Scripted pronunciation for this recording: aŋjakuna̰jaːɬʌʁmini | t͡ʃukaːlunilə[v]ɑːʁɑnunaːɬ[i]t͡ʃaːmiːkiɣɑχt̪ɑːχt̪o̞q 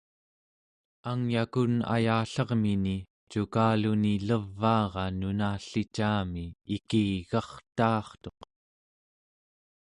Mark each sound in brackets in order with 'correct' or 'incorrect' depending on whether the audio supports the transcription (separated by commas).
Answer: incorrect, correct